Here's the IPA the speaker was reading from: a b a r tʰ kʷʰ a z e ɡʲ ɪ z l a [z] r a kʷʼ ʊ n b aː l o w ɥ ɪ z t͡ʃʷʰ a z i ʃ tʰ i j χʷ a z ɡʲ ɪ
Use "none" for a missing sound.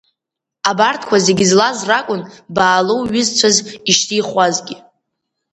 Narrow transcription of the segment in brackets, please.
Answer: z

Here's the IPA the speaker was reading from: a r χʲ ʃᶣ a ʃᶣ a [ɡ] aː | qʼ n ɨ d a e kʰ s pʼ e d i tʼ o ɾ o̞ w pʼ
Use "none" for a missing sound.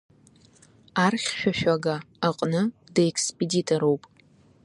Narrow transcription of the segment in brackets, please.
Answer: ɡ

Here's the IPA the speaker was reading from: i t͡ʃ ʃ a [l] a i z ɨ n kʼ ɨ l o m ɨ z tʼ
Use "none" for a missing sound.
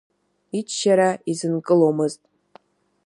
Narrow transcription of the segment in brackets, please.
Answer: ɾ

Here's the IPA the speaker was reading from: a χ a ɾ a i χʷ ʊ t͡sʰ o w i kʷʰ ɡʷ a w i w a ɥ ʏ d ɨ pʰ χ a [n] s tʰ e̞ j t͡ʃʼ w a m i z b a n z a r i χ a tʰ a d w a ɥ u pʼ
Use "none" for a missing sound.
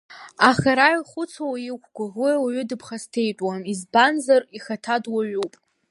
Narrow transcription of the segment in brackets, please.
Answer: none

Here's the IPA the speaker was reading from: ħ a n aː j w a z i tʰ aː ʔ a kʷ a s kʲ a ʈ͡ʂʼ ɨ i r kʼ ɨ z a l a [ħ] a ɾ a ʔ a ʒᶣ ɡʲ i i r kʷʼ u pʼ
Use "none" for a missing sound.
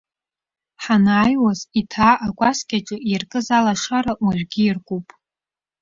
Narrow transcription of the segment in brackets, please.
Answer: ʂ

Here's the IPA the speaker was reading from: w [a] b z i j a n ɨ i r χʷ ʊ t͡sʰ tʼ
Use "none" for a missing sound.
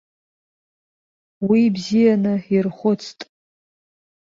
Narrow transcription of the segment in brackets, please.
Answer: i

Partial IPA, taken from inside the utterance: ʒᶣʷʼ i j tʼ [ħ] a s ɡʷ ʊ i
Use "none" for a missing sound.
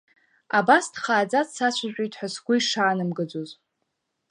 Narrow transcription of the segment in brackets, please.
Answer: ħ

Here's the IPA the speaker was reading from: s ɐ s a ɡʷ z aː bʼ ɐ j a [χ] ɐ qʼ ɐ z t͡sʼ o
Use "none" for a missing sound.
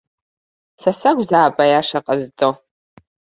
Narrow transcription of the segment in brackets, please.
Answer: ʂ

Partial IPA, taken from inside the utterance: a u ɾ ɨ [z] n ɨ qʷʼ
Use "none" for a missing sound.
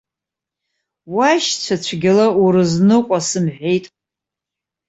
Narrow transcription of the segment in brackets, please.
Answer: z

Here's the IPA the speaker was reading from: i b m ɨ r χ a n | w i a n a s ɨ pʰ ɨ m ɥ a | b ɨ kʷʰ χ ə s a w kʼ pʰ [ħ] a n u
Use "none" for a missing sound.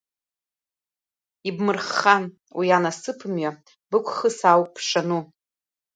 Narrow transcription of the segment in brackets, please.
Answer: ʂ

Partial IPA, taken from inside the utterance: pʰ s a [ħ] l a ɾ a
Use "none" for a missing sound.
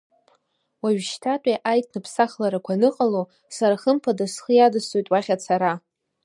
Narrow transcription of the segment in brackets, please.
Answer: χ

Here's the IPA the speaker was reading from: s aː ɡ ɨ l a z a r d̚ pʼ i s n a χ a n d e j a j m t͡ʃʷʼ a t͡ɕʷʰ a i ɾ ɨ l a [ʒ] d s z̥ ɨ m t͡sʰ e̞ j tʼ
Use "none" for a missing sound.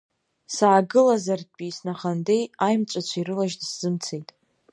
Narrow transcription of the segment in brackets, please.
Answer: ʒ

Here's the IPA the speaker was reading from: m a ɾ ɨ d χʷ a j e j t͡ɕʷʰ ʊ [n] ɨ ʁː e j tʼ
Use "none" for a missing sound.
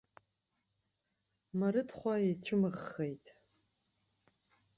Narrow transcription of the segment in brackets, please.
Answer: m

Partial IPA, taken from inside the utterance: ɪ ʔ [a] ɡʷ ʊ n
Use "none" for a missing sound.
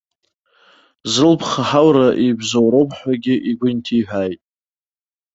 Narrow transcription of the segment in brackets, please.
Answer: i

